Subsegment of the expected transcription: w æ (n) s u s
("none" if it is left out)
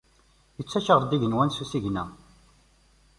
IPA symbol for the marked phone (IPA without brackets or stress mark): n